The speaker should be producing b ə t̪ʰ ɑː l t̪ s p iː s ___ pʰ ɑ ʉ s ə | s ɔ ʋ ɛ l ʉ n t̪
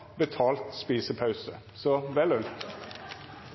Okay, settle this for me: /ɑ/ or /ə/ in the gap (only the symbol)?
ə